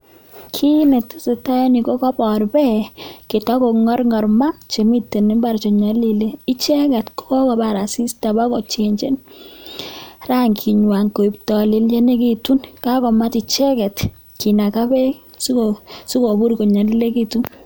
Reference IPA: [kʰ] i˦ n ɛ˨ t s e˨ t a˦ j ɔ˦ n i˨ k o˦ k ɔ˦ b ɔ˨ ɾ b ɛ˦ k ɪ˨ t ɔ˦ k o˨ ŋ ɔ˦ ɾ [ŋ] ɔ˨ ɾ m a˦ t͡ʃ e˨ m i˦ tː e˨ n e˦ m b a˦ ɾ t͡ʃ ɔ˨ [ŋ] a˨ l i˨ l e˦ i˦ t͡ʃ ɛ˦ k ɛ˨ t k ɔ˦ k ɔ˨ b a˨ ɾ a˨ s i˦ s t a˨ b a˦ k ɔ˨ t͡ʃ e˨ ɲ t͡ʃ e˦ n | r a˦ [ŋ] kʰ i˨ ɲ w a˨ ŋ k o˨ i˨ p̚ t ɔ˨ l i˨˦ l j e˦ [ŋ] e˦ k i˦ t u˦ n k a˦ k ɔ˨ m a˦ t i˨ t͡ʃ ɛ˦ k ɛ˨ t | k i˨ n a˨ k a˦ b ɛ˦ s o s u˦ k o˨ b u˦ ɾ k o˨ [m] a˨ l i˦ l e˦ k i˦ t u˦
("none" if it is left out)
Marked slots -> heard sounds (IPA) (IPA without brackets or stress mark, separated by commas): kʰ, ŋ, ɲ, ŋ, n, ɲ